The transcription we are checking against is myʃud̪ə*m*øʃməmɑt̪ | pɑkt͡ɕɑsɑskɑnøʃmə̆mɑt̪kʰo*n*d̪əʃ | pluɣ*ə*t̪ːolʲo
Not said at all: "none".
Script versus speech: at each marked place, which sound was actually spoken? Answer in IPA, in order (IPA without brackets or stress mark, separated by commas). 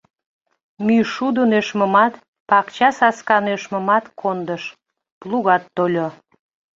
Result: n, n, ɑ